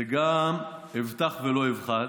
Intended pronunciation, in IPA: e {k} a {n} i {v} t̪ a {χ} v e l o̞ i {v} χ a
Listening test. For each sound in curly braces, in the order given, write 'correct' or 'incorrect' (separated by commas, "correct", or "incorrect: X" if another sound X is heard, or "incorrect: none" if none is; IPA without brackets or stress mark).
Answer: incorrect: ɡ, incorrect: m, correct, correct, correct